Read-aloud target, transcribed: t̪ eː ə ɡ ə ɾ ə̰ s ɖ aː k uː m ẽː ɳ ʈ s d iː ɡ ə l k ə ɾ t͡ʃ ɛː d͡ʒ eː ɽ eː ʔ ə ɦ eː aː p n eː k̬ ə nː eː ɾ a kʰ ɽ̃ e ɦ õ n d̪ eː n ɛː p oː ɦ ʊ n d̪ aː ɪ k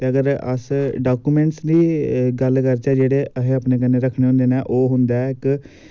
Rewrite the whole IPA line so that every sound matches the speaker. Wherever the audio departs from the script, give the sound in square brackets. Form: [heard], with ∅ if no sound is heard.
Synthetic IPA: t̪ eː ə ɡ ə ɾ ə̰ s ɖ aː k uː m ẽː ɳ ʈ s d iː ɡ ə l k ə ɾ t͡ʃ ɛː d͡ʒ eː ɽ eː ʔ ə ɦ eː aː p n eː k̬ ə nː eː ɾ [ə] kʰ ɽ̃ e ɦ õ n d̪ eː n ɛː [ʔ] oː ɦ ʊ n d̪ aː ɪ k